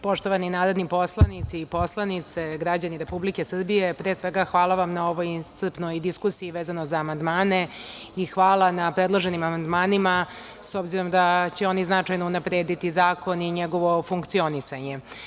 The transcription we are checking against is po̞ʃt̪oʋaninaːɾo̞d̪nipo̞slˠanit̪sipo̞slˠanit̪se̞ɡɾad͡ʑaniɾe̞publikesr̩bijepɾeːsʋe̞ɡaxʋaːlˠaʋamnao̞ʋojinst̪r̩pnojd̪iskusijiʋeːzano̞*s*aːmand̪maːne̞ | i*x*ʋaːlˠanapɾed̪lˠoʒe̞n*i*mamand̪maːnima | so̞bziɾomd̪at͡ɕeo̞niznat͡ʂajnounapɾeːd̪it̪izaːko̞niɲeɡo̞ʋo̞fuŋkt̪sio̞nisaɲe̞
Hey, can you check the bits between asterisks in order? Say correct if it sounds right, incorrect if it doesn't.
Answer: incorrect, correct, correct

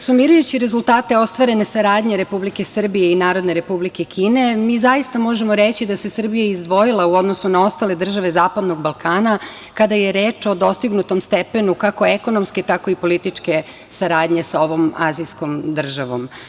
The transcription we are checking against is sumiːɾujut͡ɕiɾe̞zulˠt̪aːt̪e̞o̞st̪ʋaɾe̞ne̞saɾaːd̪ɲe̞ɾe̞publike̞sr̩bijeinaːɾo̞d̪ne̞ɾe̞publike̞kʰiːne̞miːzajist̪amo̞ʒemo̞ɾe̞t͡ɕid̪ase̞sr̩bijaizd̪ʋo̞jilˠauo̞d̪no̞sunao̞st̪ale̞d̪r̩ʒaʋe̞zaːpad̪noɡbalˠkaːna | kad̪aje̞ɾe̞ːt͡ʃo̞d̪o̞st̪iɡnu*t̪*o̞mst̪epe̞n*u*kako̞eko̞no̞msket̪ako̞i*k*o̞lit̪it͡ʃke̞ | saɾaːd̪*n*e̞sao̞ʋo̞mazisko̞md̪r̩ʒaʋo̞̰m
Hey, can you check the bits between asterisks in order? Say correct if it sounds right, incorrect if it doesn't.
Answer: correct, correct, incorrect, incorrect

